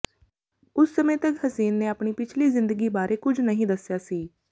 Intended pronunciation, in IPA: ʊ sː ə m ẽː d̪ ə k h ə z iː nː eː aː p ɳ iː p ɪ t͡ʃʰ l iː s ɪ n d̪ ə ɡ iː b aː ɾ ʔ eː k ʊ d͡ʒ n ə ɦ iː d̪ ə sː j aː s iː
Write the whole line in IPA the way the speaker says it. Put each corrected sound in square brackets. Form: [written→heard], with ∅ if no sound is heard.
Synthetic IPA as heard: ʊ sː ə m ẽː [d̪→t̪] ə k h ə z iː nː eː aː p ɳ iː p ɪ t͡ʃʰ l iː [s→z] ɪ n d̪ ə ɡ iː b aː ɾ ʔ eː k ʊ d͡ʒ n ə ɦ [iː→ĩː] d̪ ə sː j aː s iː